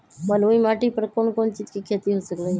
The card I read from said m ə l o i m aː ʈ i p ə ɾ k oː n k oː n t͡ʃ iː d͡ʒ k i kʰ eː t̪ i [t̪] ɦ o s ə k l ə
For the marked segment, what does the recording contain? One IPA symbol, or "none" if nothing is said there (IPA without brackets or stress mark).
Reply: none